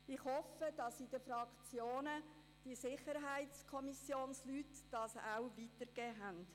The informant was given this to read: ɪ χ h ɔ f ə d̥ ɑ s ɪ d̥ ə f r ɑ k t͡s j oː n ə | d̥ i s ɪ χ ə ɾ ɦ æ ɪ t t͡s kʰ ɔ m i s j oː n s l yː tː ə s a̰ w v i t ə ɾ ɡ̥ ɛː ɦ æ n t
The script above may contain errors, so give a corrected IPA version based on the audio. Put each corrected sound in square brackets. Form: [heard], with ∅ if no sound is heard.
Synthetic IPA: ɪ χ h ɔ f ə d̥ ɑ s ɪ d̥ ə f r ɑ k t͡s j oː n ə | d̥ i s ɪ χ ə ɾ ɦ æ ɪ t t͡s kʰ ɔ m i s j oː n s l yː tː [ɑ] s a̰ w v i t ə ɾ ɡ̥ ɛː ɦ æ n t